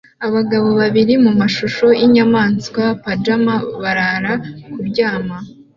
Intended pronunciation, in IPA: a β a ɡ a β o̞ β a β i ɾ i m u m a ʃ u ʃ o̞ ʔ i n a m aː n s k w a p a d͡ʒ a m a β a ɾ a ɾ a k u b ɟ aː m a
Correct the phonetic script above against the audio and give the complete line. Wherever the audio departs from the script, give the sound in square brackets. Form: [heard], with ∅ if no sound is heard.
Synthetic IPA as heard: a β a ɡ a β o̞ β a β i ɾ i m u m a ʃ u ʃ o̞ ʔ i [ɲ] a m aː n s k w a p a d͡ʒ a m a β a ɾ a ɾ a k u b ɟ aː m a